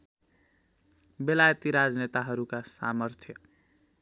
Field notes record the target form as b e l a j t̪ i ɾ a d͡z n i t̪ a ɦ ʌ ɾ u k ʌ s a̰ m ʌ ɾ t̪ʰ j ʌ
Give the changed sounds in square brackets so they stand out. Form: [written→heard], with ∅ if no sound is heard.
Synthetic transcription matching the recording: b e l a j t̪ i ɾ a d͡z n [i→e] t̪ a ɦ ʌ ɾ u k [ʌ→a] s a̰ m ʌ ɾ t̪ʰ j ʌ